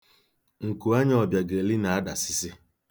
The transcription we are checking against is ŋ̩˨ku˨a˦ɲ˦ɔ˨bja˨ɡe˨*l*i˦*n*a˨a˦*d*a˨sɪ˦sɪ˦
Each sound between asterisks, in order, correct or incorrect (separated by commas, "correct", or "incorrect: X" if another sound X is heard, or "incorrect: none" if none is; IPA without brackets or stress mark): correct, correct, correct